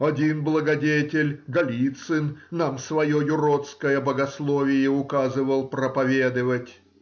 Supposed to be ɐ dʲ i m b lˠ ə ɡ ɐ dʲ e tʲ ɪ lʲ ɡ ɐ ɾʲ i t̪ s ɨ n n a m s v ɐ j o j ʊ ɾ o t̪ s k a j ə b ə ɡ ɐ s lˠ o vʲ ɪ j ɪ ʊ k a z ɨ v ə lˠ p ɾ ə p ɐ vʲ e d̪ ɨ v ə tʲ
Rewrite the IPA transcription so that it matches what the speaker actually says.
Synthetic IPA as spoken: ɐ dʲ i n b lˠ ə ɡ ɐ dʲ e tʲ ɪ lʲ ɡ ɐ lʲ i t̪ s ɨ n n a m s v ɐ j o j ʊ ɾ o t̪ s k ə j ə b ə ɡ ɐ s lˠ o vʲ ɪ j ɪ ʊ k a z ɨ v ə lˠ p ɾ ə p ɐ vʲ e d̪ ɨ v ə tʲ